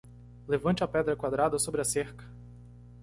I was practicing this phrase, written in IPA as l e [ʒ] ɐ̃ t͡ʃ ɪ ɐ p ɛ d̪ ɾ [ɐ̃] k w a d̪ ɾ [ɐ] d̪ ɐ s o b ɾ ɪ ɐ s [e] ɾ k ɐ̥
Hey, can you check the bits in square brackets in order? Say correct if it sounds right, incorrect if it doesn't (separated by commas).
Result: incorrect, incorrect, incorrect, correct